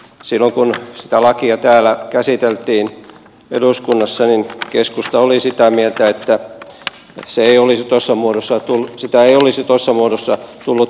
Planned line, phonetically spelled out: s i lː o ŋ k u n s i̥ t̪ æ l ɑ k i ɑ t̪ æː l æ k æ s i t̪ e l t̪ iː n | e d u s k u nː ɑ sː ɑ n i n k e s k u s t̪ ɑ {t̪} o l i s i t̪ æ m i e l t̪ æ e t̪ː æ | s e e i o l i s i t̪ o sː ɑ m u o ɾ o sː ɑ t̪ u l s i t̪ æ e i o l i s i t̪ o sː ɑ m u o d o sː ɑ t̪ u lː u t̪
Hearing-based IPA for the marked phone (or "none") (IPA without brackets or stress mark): none